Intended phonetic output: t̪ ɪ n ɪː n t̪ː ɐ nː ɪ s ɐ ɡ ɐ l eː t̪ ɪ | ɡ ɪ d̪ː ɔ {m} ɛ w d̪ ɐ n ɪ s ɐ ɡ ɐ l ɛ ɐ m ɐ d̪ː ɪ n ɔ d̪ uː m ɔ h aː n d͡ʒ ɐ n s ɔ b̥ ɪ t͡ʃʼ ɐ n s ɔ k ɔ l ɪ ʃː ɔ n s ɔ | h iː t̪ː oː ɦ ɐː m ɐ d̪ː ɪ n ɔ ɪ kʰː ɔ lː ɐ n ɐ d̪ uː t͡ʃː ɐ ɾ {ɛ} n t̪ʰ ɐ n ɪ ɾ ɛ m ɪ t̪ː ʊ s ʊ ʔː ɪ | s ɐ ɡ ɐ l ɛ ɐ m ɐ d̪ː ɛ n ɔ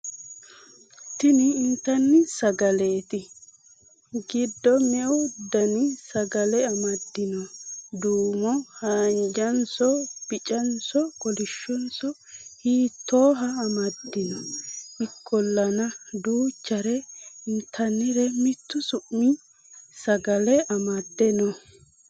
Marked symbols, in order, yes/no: yes, yes

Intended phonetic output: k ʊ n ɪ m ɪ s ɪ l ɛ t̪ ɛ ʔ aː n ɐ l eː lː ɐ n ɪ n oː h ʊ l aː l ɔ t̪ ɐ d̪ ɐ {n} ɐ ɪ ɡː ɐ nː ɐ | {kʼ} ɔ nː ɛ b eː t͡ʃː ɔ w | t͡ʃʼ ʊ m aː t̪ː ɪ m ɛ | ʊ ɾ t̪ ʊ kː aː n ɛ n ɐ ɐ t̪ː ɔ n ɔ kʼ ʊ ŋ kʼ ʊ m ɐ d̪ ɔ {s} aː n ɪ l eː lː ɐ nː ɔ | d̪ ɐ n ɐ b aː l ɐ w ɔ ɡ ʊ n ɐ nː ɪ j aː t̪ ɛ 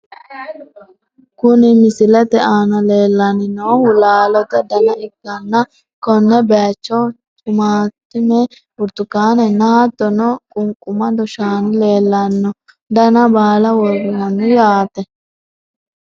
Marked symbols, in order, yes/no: yes, no, no

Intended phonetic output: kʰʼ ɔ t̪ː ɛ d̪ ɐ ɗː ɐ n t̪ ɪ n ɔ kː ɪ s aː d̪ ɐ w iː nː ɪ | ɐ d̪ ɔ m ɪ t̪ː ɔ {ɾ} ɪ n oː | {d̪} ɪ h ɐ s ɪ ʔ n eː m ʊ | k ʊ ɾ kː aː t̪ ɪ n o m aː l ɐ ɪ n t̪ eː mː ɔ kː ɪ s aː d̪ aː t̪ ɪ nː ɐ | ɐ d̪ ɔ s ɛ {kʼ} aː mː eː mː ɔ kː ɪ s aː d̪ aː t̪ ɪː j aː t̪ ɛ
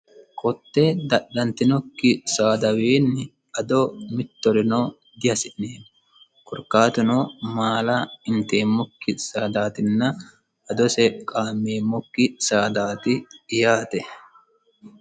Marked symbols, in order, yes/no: yes, yes, yes

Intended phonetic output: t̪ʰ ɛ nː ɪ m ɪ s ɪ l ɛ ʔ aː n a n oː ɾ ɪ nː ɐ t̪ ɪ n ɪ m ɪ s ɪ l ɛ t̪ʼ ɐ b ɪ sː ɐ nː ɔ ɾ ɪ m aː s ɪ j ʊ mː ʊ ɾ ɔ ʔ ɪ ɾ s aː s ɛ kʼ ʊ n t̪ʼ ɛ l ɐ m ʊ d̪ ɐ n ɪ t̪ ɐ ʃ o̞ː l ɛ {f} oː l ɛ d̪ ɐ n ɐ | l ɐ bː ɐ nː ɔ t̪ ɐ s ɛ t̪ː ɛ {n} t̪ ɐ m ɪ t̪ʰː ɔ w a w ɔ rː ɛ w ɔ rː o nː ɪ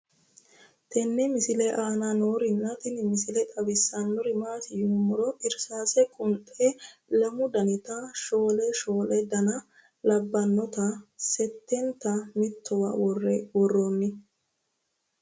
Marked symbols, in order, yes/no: no, yes

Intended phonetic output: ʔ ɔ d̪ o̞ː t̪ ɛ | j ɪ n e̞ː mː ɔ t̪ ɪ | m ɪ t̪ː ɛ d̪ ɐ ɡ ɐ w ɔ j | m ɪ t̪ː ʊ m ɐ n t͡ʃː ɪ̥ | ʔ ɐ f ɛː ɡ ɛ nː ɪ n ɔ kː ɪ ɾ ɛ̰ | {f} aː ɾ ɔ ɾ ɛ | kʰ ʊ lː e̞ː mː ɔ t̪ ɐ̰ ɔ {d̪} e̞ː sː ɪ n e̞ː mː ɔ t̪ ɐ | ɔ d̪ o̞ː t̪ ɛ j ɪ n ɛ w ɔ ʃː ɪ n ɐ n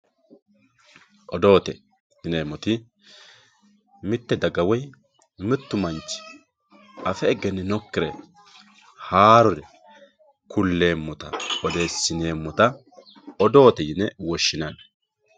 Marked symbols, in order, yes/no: no, yes

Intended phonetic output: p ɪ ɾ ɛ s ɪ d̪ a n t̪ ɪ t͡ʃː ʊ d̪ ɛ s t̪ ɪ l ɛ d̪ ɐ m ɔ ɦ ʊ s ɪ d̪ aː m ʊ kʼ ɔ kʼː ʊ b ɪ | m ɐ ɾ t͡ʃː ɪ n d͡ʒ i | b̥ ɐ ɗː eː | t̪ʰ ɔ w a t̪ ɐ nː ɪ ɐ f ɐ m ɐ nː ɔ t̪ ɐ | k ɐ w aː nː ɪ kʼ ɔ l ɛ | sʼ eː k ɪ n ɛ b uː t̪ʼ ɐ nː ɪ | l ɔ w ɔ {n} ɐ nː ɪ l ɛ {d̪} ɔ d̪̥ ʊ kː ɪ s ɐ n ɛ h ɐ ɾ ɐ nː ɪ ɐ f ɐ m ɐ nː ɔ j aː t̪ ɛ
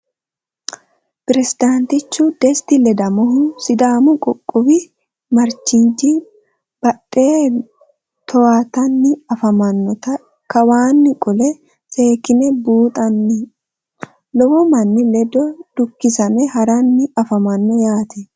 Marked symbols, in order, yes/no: no, yes

